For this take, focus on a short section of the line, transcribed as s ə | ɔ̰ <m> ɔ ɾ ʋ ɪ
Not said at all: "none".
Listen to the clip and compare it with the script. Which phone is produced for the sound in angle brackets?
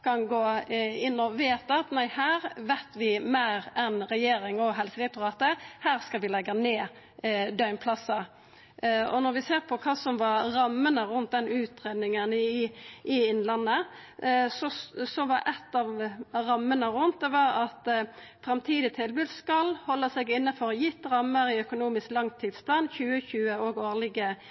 n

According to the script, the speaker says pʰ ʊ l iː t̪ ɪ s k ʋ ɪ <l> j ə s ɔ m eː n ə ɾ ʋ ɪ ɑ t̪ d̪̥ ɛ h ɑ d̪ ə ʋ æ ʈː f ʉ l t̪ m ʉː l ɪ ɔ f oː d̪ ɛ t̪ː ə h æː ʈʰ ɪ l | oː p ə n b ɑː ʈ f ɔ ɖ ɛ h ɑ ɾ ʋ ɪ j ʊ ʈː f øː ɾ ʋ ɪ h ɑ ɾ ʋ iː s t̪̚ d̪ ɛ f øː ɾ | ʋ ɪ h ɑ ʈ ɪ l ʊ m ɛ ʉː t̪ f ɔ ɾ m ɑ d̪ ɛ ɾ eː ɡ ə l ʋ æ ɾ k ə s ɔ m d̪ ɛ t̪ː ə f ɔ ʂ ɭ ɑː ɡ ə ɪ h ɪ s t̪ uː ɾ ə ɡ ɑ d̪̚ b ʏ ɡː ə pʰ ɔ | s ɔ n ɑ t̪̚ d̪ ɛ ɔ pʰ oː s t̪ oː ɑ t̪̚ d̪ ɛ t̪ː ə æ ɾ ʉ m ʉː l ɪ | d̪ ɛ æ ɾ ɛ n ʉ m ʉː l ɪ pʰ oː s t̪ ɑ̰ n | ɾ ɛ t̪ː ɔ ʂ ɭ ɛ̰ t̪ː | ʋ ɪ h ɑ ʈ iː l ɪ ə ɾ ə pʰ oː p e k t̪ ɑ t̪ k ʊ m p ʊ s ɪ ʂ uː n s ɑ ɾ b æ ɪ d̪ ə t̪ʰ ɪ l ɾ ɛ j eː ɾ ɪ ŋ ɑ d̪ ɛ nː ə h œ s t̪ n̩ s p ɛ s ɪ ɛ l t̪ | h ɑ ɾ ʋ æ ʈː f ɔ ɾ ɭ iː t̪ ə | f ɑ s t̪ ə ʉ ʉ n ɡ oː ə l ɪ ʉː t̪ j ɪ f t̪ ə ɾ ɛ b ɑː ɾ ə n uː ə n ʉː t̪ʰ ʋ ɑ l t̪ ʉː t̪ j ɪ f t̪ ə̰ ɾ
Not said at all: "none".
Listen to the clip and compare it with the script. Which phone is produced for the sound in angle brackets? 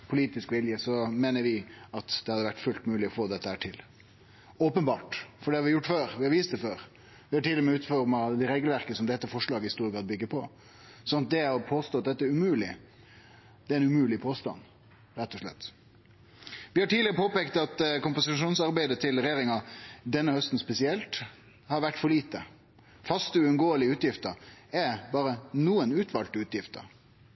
l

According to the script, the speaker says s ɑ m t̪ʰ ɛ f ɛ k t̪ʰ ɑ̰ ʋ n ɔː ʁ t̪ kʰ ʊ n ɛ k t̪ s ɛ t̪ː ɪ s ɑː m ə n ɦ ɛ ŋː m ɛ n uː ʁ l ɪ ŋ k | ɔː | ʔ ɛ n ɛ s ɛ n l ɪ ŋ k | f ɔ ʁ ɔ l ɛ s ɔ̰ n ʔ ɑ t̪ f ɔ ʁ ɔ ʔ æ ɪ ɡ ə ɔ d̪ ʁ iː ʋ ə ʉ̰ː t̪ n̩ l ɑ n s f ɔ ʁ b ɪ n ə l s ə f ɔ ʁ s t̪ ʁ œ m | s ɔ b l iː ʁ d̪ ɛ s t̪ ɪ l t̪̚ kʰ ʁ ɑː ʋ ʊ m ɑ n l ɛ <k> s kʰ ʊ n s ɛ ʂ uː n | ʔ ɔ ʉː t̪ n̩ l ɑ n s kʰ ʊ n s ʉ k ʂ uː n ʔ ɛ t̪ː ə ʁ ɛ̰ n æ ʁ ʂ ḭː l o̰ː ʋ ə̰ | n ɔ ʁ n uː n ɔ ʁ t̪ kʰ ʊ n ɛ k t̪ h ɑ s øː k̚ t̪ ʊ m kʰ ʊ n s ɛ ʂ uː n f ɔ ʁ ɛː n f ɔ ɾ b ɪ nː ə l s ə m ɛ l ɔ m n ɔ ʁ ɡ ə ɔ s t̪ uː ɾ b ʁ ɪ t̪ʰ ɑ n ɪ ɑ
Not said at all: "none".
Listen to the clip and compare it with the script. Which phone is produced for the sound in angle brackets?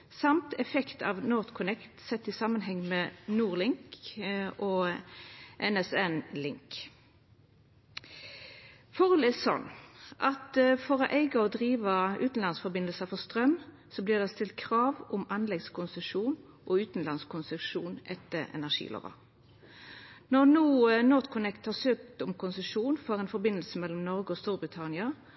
ɡ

